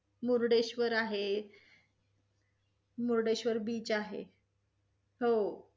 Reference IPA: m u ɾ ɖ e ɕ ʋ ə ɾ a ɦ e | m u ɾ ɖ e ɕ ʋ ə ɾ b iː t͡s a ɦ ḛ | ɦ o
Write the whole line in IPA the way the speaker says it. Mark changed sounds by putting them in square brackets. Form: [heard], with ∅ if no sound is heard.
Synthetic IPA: m u ɾ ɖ e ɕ ʋ ə ɾ a ɦ e | m u ɾ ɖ e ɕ ʋ ə ɾ b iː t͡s a ɦ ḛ | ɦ o